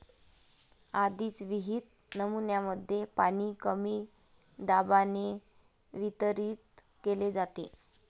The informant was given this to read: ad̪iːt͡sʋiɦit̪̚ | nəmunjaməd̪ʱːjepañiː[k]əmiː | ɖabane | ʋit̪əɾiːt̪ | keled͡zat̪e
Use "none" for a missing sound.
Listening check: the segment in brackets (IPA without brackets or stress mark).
k